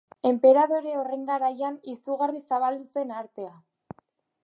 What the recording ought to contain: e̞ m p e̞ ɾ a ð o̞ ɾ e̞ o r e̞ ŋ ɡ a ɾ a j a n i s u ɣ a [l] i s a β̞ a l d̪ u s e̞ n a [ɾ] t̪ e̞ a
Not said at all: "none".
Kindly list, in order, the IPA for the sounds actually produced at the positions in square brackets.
r, ɾ

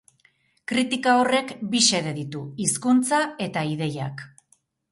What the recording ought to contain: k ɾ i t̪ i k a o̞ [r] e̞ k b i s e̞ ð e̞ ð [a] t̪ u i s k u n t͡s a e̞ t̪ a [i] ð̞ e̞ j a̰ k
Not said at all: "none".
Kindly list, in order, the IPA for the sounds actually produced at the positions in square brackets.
r, i, i

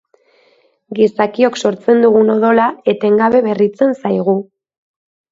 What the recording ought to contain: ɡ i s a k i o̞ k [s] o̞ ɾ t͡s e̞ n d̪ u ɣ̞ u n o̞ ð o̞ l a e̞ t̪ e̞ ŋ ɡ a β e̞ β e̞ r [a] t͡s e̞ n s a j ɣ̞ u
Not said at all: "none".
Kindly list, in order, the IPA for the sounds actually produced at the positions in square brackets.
s, i

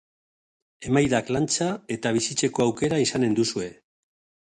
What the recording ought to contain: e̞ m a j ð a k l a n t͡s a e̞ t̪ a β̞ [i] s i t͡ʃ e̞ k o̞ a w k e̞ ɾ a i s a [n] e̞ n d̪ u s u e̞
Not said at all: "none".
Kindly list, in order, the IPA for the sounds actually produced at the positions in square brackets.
i, n

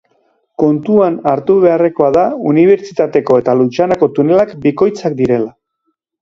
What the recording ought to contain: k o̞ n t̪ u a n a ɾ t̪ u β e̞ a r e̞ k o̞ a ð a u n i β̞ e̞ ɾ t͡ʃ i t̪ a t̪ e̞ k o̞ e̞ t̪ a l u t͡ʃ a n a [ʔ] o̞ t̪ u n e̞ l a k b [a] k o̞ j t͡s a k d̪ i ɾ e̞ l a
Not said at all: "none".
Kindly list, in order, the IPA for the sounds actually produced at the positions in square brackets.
k, i

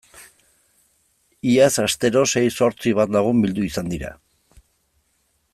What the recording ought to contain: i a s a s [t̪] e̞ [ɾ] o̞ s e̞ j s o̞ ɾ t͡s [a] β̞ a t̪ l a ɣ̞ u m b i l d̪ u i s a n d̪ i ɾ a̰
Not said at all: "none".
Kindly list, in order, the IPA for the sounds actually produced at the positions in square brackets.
t̪, ɾ, i

